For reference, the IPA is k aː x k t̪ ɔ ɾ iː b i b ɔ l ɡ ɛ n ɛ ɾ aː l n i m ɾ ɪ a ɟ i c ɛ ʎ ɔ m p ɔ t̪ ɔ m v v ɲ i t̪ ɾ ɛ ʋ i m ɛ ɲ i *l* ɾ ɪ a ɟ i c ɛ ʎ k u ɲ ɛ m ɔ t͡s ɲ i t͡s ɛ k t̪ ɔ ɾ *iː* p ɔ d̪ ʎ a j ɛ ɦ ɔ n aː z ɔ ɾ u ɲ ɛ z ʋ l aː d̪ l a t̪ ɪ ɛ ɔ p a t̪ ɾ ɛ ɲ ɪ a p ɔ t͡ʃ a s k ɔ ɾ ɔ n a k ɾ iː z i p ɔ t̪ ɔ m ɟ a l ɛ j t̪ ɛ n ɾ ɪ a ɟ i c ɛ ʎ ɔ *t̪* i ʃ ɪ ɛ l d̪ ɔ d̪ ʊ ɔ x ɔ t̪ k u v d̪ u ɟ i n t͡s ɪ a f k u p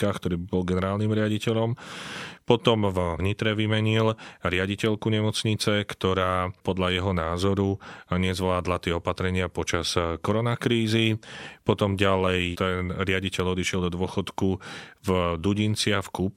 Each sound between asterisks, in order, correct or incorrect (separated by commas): correct, incorrect, incorrect